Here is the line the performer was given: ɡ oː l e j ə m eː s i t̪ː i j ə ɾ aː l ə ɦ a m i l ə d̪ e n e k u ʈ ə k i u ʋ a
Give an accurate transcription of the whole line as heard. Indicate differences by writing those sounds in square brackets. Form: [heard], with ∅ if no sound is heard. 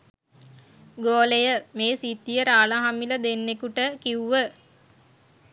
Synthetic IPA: ɡ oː l e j ə m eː s i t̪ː i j ə ɾ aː l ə ɦ a m i l ə d̪ e [nː] e k u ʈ ə k i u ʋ [ə]